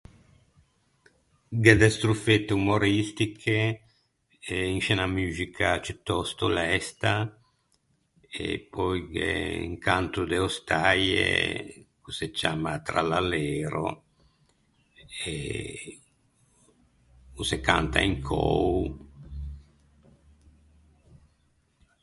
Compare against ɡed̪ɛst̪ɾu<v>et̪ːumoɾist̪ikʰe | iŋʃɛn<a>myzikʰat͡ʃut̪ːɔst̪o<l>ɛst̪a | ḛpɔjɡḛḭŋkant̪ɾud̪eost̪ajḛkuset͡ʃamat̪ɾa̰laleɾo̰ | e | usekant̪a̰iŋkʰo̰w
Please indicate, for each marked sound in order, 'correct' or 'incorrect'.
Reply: incorrect, correct, correct

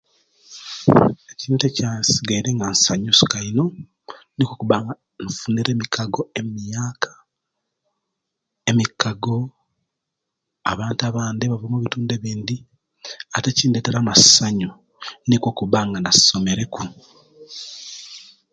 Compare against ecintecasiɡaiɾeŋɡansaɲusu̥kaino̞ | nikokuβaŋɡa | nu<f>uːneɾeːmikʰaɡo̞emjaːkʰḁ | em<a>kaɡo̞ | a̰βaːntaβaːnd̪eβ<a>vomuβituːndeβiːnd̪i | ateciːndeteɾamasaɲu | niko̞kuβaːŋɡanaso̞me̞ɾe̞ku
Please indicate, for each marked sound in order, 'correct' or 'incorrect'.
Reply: correct, incorrect, correct

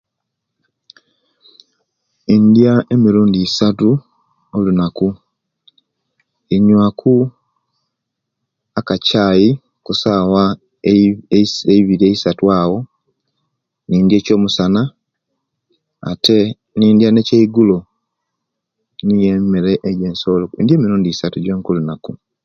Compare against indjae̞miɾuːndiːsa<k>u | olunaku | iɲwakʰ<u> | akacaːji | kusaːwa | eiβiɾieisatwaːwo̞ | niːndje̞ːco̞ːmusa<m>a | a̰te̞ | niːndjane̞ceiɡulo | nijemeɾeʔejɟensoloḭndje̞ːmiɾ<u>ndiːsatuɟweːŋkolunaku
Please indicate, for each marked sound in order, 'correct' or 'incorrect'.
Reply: incorrect, correct, incorrect, incorrect

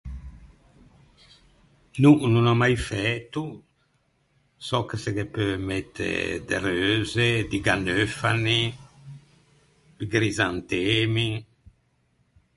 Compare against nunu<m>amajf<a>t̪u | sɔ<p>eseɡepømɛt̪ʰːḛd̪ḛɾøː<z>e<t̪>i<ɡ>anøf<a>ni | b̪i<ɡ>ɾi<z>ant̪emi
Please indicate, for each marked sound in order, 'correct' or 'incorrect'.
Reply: incorrect, incorrect, incorrect, correct, incorrect, correct, correct, correct, correct

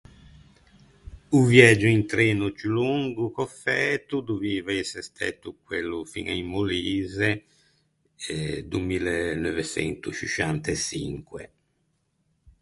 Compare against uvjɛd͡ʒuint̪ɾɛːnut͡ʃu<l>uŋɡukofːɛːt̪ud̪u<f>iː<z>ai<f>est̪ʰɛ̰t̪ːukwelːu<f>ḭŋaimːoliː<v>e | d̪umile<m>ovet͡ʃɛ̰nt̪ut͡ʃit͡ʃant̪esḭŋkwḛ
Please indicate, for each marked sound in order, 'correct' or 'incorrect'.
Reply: correct, incorrect, incorrect, incorrect, correct, incorrect, incorrect

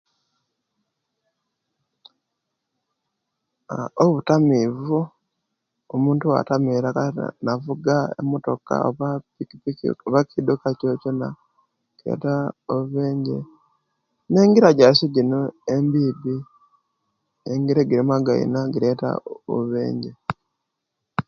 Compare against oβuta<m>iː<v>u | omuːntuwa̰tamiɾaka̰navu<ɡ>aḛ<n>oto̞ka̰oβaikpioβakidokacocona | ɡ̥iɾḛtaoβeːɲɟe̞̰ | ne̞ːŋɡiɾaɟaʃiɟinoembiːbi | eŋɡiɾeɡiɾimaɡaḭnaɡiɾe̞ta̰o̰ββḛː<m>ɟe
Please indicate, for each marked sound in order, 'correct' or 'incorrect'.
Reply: correct, correct, correct, incorrect, incorrect

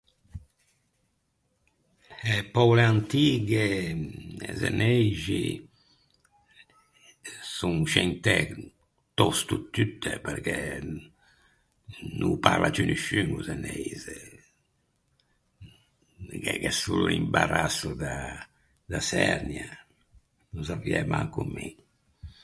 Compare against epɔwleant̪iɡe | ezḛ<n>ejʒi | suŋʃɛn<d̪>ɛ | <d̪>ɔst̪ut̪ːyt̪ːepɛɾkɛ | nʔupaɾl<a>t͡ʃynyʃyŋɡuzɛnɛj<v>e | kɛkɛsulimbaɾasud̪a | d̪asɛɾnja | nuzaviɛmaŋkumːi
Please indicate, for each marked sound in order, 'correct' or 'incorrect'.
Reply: correct, incorrect, incorrect, correct, incorrect

